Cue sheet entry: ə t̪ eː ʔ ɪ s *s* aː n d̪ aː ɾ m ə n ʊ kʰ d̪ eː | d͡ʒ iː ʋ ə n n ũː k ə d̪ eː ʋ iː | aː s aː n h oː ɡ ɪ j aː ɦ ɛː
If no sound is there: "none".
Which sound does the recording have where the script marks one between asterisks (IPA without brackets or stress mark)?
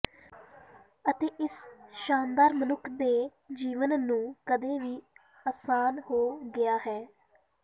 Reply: ʃ